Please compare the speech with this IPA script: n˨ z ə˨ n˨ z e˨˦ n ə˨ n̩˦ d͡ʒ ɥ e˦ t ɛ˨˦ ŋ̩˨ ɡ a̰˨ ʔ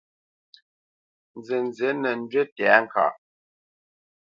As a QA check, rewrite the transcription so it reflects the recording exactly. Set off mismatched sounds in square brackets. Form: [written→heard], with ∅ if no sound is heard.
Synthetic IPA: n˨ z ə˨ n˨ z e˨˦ n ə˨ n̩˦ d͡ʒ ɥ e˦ t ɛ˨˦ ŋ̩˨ [ɡ→k] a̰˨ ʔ

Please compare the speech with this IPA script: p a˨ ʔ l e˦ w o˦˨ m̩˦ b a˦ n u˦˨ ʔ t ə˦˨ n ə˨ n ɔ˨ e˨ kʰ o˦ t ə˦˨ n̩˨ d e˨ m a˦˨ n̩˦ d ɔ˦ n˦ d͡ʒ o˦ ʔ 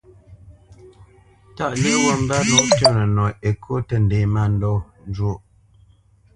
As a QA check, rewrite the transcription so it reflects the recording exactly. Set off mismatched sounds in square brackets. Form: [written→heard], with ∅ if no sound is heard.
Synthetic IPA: [p→t] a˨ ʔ l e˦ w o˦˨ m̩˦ b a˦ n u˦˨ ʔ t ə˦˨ n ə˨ n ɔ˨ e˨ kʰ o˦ t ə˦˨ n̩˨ d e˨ m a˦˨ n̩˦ d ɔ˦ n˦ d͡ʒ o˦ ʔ

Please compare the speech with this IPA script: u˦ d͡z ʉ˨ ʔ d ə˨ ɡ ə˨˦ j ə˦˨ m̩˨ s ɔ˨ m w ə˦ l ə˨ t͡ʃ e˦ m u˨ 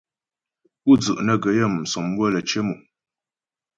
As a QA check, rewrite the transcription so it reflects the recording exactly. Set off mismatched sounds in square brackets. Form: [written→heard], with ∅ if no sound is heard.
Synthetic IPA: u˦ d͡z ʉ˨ ʔ [d→n] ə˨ ɡ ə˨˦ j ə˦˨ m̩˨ s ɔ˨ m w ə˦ l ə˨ t͡ʃ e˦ m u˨

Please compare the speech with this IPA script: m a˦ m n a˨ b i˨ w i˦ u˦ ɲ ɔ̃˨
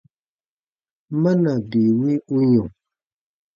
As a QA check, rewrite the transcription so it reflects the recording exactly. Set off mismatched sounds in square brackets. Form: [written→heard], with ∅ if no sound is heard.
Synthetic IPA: m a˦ [m→∅] n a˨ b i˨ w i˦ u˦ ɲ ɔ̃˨

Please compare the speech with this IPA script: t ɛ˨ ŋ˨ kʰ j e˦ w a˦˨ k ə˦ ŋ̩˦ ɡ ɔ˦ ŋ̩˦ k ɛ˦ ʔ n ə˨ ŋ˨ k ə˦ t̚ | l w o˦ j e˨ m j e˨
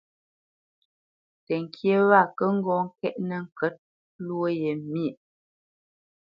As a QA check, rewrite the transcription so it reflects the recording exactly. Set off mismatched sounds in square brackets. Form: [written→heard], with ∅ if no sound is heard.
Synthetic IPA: t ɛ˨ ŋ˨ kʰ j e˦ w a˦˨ k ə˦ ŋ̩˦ ɡ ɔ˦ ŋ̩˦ k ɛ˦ ʔ n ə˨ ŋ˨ k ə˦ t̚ | l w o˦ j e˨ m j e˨

